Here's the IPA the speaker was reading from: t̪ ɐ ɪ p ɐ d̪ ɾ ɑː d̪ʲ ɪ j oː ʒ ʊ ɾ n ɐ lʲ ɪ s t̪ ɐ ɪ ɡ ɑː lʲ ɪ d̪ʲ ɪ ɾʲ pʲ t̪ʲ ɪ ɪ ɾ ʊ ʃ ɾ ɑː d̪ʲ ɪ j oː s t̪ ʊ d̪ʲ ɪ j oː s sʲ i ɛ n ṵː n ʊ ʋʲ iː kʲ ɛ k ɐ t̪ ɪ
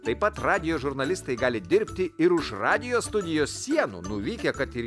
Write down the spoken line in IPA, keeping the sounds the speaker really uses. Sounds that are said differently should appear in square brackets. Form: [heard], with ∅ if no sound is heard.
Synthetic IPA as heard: t̪ ɐ ɪ p ɐ [t̪] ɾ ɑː d̪ʲ ɪ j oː ʒ ʊ ɾ n ɐ lʲ ɪ s t̪ ɐ ɪ ɡ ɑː lʲ ɪ d̪ʲ ɪ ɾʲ pʲ t̪ʲ ɪ ɪ ɾ ʊ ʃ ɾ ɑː d̪ʲ ɪ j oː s t̪ ʊ d̪ʲ ɪ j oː s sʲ i ɛ n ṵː n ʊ ʋʲ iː kʲ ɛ k ɐ t̪ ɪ